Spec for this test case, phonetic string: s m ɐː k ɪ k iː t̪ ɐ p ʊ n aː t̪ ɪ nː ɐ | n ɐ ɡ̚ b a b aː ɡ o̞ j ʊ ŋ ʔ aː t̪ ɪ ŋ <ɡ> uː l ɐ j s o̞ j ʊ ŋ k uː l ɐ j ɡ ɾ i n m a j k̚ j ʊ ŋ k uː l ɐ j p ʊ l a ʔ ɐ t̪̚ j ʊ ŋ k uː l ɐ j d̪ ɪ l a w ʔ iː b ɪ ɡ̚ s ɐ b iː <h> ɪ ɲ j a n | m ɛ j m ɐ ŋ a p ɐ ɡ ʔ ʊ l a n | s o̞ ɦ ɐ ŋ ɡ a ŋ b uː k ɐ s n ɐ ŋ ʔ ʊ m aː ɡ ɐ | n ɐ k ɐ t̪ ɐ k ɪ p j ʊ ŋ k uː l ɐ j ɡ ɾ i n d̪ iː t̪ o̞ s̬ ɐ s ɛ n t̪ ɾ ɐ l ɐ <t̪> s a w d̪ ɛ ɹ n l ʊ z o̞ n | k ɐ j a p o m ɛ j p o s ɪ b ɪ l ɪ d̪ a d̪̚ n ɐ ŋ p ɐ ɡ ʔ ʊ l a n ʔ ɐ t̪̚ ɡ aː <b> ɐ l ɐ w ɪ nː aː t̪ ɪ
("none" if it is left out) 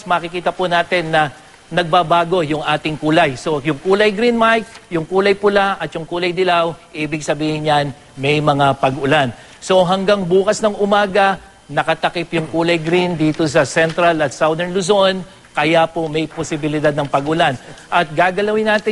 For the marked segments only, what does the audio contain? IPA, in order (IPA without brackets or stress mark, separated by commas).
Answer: k, h, t̪, ɡ